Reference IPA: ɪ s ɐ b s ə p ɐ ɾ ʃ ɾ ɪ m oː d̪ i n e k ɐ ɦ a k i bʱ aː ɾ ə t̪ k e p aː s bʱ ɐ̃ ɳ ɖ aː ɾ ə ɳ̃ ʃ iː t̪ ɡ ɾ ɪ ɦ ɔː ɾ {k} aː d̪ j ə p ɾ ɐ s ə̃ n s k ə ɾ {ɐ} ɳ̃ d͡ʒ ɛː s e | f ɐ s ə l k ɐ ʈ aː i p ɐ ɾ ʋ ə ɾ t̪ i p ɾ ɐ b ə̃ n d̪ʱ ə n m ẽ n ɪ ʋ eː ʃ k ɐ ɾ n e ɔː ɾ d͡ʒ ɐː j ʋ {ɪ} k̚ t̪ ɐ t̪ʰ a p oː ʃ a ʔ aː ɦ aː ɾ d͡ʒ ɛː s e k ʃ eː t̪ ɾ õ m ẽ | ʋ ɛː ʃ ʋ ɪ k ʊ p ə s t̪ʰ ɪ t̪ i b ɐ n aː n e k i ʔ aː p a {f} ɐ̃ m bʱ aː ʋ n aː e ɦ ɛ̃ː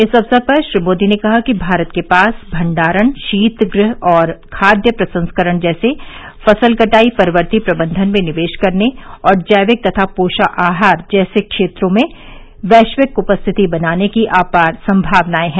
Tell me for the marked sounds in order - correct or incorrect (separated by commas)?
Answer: incorrect, incorrect, correct, incorrect